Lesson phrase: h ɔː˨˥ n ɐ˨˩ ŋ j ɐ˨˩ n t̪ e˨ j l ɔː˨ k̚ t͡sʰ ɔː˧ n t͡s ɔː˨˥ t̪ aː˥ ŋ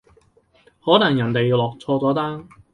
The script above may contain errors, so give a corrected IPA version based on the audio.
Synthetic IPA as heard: h ɔː˨˥ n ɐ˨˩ ŋ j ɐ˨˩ n t̪ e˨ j l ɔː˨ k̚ t͡sʰ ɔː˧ t͡s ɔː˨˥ t̪ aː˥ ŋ